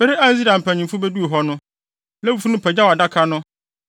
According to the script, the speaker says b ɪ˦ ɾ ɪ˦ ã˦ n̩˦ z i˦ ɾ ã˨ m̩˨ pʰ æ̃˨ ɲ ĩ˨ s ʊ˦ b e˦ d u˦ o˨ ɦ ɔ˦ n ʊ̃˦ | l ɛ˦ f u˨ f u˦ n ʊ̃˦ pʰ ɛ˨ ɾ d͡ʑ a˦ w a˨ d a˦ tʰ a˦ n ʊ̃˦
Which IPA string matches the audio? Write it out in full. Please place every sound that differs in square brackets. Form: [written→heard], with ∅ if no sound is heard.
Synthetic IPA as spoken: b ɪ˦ ɾ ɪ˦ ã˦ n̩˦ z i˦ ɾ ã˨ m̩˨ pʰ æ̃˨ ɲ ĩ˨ [s→f] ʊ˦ b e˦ d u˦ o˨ ɦ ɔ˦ n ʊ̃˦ | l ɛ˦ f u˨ f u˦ n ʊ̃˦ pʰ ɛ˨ [ɾ→∅] d͡ʑ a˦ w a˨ d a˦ [tʰ→kʰ] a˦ n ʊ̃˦